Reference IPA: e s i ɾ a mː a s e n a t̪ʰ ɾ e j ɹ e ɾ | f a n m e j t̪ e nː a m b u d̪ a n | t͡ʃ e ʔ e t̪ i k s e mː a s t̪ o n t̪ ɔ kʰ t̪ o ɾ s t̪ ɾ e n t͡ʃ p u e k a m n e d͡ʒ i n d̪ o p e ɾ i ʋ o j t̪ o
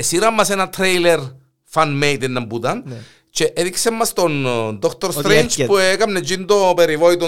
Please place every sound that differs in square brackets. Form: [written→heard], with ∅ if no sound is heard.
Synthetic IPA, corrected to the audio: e s i ɾ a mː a s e n a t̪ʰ ɾ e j [ɹ→l] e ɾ | f a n m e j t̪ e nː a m b u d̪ a n | t͡ʃ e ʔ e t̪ i k s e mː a s t̪ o n [t̪→d̪] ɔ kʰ t̪ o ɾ s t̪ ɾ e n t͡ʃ p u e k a m n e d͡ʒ i n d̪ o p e ɾ i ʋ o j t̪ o